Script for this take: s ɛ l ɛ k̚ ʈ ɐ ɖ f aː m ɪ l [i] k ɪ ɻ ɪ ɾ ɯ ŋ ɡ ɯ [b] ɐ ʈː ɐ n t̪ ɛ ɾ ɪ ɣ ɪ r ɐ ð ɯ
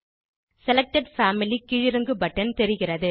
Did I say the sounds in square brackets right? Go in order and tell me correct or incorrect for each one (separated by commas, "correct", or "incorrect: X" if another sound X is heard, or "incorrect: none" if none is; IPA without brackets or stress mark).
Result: correct, correct